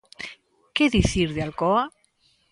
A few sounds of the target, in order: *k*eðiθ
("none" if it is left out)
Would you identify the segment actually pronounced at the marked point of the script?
k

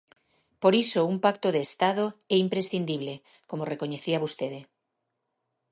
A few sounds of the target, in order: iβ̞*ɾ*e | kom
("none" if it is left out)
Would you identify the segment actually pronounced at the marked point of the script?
l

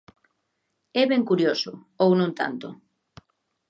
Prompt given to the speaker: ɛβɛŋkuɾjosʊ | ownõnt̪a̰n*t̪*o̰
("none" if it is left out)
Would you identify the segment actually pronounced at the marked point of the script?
t̪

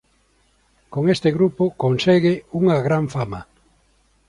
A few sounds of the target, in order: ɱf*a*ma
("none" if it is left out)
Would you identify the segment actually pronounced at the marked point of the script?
a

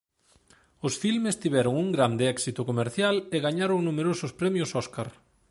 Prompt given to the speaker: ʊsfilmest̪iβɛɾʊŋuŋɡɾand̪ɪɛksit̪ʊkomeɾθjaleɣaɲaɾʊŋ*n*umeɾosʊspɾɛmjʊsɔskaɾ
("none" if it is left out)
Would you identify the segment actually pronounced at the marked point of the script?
n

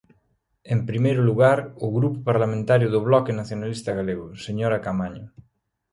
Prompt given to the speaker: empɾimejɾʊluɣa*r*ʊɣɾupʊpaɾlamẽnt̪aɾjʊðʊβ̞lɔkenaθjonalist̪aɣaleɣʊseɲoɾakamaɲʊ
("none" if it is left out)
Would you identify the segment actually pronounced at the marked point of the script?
ɾ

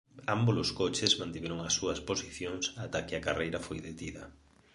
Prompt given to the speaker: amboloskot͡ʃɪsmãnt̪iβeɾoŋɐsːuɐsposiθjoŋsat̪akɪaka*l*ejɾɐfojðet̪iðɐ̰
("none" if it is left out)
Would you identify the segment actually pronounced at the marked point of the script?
r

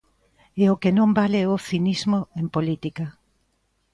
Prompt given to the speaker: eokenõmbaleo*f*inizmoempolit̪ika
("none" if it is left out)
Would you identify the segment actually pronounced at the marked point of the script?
θ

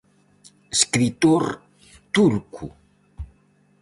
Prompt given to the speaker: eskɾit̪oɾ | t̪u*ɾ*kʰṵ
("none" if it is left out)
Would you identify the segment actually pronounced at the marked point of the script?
ɾ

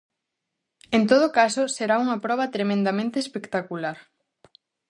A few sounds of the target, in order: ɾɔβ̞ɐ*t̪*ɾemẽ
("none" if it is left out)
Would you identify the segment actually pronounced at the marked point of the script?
t̪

